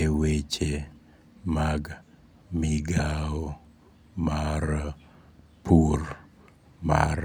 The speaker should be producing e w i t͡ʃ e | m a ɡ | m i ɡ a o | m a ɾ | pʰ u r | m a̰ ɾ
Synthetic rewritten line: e w e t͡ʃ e | m a ɡ | m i ɡ a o | m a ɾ | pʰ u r | m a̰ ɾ